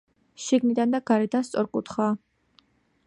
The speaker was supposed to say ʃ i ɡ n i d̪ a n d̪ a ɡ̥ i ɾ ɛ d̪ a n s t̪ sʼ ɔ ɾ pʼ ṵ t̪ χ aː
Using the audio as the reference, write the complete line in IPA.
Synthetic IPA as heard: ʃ i ɡ n i d̪ a n d̪ a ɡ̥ a ɾ ɛ d̪ a n s t̪ sʼ ɔ ɾ kʼ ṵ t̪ χ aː